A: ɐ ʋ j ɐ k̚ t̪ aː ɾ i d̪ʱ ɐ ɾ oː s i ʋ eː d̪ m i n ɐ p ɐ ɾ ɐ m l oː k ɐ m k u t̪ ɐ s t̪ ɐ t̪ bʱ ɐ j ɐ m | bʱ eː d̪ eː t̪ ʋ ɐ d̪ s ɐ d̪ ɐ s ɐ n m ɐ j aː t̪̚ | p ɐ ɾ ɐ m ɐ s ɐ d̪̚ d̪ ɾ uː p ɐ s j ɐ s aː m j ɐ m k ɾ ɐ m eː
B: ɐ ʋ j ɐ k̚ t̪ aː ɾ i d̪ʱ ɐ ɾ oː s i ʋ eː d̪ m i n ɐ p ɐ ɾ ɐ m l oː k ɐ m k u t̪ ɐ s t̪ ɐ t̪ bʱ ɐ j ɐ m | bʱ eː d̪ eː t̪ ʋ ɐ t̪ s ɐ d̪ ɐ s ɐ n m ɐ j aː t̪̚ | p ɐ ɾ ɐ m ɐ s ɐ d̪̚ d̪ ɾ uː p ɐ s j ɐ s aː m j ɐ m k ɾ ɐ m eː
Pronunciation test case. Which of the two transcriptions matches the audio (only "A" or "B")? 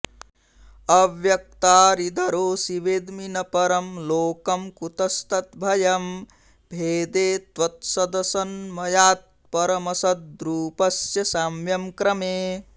B